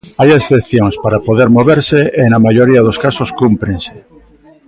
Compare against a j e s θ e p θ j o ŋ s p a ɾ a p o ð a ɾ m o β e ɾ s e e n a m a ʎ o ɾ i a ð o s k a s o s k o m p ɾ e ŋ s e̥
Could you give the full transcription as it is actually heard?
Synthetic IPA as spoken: a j e s θ e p θ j o ŋ s p a ɾ a p o ð e ɾ m o β e ɾ s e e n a m a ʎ o ɾ i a ð o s k a s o s k u m p ɾ e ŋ s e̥